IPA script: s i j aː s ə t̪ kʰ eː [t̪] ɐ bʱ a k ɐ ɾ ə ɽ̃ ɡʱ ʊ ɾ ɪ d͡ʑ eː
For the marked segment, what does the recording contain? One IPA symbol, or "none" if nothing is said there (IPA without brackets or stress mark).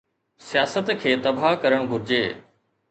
t̪